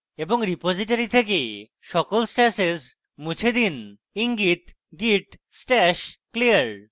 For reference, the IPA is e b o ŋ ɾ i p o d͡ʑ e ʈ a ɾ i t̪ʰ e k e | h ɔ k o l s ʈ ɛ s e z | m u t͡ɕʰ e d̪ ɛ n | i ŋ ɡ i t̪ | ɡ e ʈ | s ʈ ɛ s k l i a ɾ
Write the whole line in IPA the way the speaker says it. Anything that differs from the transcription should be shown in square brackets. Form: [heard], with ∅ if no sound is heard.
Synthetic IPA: e b o ŋ ɾ i p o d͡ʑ [i] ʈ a ɾ i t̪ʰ e k e | [ʃ] ɔ k o l s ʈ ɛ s e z | m u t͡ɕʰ e d̪ [i] n | i ŋ ɡ i t̪ | ɡ [i] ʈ | s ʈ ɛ [ʃ] k l i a ɾ